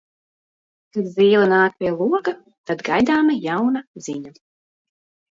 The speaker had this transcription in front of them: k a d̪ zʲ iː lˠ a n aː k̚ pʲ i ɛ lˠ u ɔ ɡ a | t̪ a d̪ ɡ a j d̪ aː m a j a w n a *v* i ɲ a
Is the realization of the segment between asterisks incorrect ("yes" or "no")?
yes